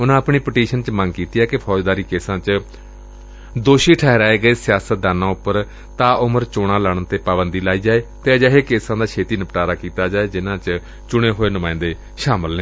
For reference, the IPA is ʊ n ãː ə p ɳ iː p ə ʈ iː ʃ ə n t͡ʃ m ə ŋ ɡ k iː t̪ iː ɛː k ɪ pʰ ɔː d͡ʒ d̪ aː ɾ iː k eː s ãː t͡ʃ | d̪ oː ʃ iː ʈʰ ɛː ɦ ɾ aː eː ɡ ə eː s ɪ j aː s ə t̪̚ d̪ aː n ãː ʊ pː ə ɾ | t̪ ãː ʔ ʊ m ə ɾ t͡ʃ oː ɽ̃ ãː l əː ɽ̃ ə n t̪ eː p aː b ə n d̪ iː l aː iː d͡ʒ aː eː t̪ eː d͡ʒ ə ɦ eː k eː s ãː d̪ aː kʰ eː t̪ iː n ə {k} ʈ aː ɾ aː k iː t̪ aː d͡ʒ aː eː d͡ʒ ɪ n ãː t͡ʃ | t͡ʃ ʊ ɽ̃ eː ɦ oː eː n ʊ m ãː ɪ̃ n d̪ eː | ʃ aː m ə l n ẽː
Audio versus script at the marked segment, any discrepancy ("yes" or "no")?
yes